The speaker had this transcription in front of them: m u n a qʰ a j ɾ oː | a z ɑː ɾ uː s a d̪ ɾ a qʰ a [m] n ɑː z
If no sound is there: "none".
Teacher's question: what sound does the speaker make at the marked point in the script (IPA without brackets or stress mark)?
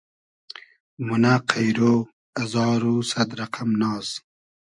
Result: m